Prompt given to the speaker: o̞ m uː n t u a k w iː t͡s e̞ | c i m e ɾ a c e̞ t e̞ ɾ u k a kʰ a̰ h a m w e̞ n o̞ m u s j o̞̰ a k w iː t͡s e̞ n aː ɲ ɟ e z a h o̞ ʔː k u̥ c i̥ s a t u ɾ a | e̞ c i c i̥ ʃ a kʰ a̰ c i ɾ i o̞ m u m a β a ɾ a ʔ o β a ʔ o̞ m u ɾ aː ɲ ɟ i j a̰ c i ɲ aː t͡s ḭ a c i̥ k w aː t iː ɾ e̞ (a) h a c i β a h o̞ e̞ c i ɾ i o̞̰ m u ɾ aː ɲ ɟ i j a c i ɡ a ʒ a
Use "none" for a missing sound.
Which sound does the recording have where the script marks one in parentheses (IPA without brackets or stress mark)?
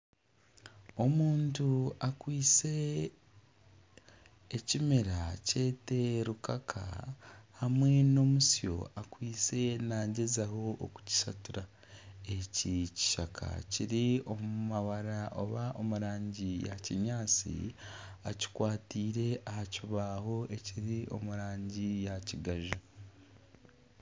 a